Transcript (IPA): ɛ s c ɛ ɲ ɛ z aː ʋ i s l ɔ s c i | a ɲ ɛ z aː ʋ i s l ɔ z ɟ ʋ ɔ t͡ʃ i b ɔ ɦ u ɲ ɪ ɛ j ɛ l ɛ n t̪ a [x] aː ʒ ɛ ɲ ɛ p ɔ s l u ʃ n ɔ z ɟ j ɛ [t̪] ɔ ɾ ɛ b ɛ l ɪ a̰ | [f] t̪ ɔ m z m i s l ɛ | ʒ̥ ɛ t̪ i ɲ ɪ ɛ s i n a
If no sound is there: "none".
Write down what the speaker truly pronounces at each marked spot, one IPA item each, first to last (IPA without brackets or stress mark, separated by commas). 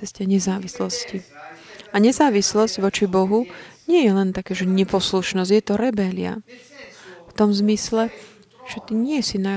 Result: k, t̪, f